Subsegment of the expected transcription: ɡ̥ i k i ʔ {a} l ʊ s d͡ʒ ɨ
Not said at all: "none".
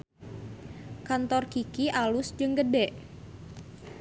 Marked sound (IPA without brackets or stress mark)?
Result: a